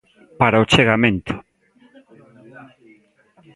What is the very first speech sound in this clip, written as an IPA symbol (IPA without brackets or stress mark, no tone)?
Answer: p